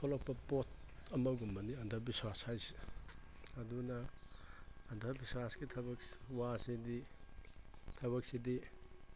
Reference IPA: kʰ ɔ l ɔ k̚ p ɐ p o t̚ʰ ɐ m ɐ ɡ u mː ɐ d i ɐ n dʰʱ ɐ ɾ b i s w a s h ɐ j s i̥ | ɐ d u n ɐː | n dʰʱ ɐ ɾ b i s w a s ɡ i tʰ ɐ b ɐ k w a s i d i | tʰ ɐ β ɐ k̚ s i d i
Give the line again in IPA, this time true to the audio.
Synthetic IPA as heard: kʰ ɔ l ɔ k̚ p ɐ p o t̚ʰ ɐ m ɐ ɡ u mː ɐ n i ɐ n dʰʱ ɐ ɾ b i s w a s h a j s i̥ | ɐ d u n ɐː | n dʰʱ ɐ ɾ b i s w a s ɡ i tʰ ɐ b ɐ k w a s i d i | tʰ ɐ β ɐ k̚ s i d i